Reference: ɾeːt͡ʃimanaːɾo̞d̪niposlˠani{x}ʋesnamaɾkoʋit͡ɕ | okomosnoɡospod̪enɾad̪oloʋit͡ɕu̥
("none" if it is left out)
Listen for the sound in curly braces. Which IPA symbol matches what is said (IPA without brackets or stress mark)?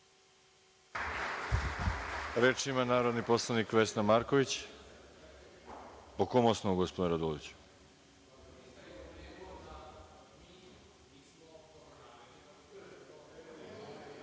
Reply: k